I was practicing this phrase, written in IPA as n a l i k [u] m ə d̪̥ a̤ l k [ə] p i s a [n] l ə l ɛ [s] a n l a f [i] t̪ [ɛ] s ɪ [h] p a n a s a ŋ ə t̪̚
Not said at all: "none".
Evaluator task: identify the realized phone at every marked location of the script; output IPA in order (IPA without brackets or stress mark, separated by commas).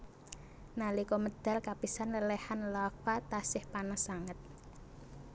ɔ, a, n, h, a, a, h